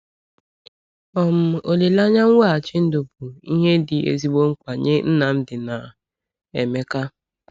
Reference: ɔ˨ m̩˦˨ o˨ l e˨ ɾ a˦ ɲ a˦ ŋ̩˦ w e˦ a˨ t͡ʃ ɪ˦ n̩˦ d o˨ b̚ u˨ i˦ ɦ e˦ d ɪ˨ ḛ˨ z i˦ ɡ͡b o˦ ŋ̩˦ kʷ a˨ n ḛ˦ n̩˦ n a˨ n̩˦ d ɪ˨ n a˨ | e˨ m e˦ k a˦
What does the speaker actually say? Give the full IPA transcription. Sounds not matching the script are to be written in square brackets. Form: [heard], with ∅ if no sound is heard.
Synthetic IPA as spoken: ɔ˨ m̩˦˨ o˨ l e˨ [l] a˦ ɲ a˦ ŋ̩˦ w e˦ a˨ t͡ʃ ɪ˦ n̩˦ d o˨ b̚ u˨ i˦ ɦ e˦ d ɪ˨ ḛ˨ z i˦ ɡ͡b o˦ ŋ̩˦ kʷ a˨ [ɲ] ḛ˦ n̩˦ n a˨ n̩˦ d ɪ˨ n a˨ | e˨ m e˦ k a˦